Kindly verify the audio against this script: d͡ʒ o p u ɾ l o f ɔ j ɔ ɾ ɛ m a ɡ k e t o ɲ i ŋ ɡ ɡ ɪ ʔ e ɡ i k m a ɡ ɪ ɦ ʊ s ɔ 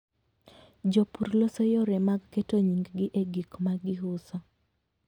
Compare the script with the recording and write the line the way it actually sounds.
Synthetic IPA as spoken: d͡ʒ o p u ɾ l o s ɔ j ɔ ɾ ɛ m a ɡ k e t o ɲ i ŋ ɡ ɡ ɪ ʔ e ɡ i k m a ɡ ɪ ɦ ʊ s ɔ